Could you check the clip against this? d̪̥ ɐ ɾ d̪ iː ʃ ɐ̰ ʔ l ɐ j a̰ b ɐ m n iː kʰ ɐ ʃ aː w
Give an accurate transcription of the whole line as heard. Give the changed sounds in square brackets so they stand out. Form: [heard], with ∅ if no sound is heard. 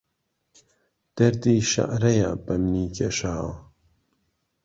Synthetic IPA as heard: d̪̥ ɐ ɾ d̪ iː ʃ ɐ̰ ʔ [ɾ] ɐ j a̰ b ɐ m n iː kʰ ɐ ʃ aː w